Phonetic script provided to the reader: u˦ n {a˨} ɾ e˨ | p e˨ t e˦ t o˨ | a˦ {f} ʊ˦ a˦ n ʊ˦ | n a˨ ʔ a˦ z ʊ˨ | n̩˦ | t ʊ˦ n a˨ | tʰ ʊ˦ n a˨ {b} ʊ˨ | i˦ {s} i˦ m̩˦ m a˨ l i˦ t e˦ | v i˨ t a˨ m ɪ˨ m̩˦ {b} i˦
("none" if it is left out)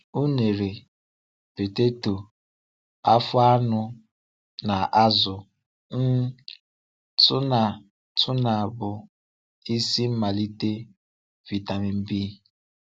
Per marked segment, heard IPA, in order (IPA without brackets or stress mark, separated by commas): e˨, f, b, s, b